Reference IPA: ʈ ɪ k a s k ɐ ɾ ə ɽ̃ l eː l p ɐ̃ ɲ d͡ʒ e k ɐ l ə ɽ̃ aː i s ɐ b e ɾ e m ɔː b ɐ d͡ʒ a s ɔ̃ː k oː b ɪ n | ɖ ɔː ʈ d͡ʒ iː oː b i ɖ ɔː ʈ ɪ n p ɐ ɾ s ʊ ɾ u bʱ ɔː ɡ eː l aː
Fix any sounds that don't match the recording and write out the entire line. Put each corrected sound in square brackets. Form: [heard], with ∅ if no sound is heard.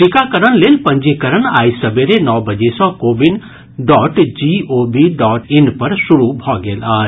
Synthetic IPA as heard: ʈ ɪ k a [∅] k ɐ ɾ ə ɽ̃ l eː l p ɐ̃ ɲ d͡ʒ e k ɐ [ɾ] ə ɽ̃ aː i s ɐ b e ɾ e [n] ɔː b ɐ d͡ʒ [e] s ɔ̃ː k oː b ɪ n | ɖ ɔː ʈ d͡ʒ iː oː b i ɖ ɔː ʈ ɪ n p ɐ ɾ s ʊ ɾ u bʱ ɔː ɡ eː l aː